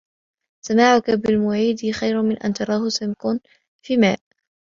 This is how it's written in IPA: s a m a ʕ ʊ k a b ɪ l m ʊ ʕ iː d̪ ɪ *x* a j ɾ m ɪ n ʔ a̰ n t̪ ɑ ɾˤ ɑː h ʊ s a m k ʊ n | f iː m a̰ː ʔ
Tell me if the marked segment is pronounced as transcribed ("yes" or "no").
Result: yes